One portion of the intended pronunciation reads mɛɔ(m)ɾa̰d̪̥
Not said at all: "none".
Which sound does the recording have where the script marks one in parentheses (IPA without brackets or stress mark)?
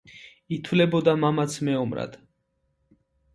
m